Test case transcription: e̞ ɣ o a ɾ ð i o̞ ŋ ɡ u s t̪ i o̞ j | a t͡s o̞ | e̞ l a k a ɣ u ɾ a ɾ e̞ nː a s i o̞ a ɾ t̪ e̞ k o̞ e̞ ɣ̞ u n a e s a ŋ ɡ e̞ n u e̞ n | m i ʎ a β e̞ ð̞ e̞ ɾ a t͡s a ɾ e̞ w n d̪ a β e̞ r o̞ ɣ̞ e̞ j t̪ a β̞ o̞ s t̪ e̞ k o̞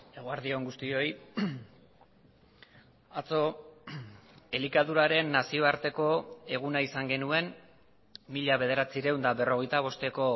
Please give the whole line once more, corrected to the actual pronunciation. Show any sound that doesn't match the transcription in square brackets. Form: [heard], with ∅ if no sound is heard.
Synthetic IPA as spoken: e̞ ɣ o a ɾ ð i o̞ ŋ ɡ u s t̪ i o̞ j | a t͡s o̞ | e̞ l [i] k a [ð] u ɾ a ɾ e̞ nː a s i o̞ a ɾ t̪ e̞ k o̞ e̞ ɣ̞ u n a [i] s a ŋ ɡ e̞ n u e̞ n | m i ʎ a β e̞ ð̞ e̞ ɾ a t͡s [i] ɾ e̞ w n d̪ a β e̞ r o̞ ɣ̞ e̞ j t̪ a β̞ o̞ s t̪ e̞ k o̞